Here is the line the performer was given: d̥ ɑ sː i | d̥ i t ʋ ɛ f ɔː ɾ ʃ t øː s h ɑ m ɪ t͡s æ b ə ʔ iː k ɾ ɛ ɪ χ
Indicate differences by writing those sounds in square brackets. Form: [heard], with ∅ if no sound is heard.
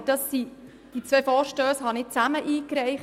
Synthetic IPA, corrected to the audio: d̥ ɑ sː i | d̥ i [t͡s] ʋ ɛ f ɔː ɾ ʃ t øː s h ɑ [n] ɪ t͡s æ [m] ə ʔ iː k ɾ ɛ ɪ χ